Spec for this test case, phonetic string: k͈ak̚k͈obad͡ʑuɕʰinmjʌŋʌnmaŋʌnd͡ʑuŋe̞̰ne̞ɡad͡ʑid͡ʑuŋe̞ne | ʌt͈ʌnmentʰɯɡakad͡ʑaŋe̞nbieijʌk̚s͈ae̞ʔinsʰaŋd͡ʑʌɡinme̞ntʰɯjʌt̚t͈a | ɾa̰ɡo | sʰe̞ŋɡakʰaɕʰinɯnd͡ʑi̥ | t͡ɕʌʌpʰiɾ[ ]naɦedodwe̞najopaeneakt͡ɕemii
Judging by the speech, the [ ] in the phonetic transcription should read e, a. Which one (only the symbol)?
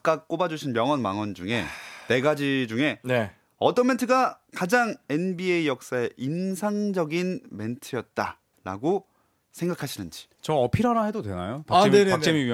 a